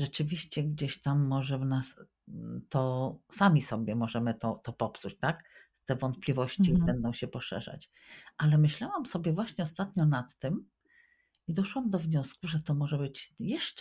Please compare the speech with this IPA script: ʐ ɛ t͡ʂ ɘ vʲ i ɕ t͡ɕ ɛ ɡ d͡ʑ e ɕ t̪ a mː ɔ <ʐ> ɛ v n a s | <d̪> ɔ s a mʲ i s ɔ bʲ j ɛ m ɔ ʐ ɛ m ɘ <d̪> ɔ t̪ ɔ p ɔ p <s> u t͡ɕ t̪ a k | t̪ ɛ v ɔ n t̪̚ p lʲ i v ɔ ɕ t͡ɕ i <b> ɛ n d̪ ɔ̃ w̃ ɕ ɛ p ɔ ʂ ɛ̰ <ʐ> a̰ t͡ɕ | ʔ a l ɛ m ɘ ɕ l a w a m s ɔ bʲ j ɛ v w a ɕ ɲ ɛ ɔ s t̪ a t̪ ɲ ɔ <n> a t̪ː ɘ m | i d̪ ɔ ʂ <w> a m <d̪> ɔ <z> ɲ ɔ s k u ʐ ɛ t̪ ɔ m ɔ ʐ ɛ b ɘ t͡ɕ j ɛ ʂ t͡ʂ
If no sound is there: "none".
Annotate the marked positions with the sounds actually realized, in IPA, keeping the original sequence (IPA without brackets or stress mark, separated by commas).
ʐ, t̪, t̪, s, b, ʐ, n, w, d̪, v